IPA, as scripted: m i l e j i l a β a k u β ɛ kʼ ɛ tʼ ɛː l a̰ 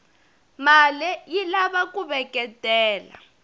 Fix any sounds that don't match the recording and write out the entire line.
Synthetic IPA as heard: m a l ɛ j i l a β a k u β ɛ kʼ ɛ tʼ ɛː l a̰

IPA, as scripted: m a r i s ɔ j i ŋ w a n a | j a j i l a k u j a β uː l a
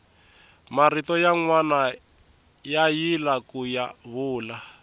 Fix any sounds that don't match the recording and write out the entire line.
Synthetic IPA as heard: m a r i t ɔ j a ŋ w a n a | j a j i l a k u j a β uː l a

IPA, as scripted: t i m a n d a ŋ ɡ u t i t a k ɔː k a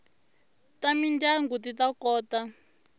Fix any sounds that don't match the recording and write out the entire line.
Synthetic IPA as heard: t a m i n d a ŋ ɡ u t i t a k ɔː t a

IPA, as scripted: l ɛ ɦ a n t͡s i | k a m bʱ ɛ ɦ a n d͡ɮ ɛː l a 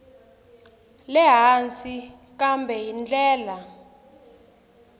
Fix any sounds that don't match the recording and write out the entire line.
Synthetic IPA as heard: l ɛ ɦ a n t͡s i | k a m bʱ ɛ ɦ i n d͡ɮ ɛː l a

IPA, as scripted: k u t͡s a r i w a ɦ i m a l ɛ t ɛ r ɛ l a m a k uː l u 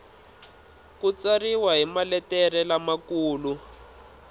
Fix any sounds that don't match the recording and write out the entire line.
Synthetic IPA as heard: k u t͡s a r i w a ɦ i m a l ɛ t ɛ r ɛ l a m a k uː l u

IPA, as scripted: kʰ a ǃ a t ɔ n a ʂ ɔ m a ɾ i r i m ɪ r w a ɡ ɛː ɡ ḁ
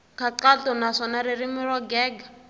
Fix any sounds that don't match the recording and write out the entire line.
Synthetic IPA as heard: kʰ a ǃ a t ɔ n a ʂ ɔ n a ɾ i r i m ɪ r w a ɡ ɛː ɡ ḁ

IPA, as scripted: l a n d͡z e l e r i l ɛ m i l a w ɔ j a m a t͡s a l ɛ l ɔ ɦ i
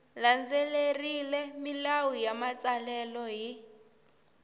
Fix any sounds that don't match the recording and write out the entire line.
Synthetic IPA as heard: l a n d͡z e l e r i l ɛ m i l a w u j a m a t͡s a l ɛ l ɔ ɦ i

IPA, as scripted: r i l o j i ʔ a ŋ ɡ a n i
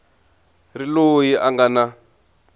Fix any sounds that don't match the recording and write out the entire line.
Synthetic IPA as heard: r i l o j i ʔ a ŋ ɡ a n a

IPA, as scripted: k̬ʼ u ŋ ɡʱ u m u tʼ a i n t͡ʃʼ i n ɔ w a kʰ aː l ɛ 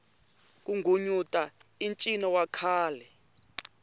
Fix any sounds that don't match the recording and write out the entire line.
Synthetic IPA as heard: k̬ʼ u ŋ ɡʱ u ɲ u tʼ a i n t͡ʃʼ i n ɔ w a kʰ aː l ɛ

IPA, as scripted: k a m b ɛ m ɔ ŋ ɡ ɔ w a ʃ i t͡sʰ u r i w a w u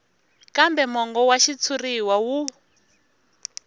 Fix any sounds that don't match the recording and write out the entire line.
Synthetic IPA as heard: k a m b ɛ m ɔ ŋ ɡ ɔ w a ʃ i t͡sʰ u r i w a w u

